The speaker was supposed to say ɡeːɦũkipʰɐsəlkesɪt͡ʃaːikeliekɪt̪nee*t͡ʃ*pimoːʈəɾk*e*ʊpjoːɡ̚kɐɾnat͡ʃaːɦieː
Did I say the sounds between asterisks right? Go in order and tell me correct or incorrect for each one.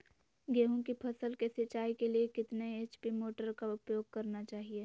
correct, incorrect

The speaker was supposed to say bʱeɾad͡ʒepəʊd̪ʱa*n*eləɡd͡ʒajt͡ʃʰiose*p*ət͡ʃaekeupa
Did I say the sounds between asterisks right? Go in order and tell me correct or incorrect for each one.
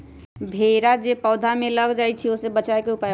incorrect, incorrect

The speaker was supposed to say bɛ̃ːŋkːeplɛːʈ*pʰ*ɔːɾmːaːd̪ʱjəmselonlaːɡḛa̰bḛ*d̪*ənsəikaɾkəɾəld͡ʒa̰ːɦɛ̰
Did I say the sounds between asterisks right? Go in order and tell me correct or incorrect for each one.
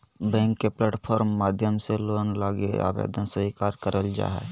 correct, correct

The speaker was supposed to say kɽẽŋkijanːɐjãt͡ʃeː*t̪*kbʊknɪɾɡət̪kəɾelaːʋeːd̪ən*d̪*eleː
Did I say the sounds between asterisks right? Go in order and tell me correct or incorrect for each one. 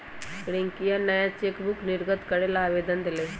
incorrect, correct

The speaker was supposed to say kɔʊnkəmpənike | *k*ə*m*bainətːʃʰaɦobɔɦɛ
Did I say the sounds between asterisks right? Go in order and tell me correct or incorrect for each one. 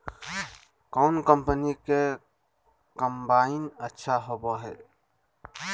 correct, correct

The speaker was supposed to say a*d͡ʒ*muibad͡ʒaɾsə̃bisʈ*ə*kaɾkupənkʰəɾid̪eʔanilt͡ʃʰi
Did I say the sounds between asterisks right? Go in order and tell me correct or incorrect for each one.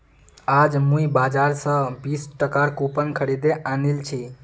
correct, correct

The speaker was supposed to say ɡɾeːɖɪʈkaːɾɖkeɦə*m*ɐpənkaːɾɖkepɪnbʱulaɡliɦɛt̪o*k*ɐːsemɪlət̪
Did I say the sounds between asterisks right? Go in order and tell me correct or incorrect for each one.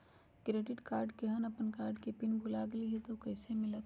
incorrect, correct

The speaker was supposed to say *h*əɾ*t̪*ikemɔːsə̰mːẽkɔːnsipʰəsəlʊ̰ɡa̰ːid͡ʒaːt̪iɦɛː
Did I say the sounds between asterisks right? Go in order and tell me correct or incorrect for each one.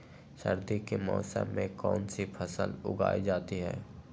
incorrect, incorrect

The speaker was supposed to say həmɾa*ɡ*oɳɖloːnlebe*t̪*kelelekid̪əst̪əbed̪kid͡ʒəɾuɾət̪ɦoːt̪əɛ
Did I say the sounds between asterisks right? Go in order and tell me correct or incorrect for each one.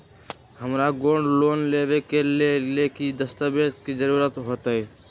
correct, incorrect

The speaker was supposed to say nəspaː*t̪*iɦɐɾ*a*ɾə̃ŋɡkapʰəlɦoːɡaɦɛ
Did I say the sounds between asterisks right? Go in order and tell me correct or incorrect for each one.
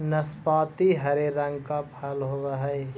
correct, incorrect

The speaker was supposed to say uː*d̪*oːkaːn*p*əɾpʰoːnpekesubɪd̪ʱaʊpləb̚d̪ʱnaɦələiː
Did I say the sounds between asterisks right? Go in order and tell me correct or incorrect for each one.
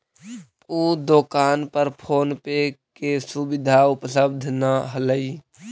correct, correct

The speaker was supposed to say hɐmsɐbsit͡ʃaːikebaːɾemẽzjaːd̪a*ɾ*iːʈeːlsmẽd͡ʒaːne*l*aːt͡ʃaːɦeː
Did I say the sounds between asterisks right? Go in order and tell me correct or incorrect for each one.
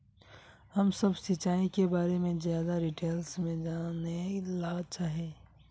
correct, correct

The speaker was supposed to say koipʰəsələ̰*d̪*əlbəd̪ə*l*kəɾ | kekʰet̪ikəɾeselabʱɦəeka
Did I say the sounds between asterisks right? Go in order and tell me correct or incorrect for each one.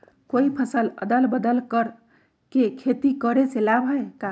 correct, correct

